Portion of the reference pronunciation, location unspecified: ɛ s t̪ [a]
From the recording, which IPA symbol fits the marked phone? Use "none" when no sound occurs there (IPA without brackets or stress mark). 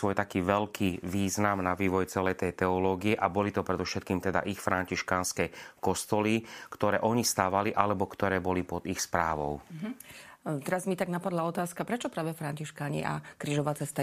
a